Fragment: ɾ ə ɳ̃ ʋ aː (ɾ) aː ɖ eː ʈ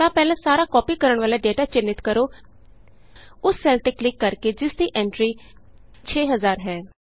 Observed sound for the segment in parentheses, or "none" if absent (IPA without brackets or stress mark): l